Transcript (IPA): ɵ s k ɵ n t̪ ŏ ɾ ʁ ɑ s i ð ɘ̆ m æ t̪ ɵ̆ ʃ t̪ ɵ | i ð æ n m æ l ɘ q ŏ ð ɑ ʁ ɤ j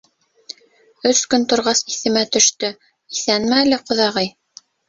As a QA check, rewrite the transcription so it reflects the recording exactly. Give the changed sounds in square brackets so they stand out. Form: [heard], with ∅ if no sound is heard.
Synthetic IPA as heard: ɵ s k ɵ n t̪ ŏ ɾ ʁ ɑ s i [θ] ɘ̆ m æ t̪ ɵ̆ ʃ t̪ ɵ | i [θ] æ n m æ l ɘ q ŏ ð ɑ ʁ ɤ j